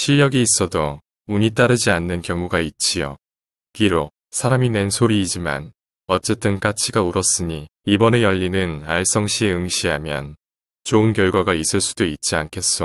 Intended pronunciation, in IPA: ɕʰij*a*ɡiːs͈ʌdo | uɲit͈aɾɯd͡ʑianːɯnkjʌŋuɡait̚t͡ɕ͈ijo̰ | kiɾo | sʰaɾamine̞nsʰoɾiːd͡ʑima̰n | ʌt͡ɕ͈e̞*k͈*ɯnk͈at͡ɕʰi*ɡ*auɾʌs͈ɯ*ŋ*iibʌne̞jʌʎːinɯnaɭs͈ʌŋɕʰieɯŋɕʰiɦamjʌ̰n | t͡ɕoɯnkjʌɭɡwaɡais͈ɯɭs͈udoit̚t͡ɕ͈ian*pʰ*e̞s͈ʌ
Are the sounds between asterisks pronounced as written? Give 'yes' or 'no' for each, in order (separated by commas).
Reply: no, no, yes, no, no